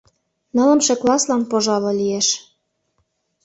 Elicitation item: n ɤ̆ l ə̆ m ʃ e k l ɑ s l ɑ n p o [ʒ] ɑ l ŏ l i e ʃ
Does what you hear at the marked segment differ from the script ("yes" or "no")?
no